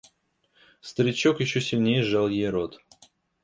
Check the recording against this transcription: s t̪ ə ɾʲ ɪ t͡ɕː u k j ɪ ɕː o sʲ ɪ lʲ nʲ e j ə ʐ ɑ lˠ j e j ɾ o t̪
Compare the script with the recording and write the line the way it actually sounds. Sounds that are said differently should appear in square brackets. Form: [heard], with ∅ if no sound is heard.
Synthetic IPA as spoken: s t̪ ə ɾʲ ɪ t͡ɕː [o] k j ɪ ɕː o sʲ ɪ lʲ nʲ e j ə ʐ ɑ lˠ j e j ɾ o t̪